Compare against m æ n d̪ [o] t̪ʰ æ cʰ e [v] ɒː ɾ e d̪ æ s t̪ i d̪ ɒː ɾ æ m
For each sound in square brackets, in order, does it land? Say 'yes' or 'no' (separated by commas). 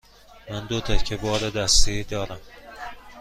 yes, no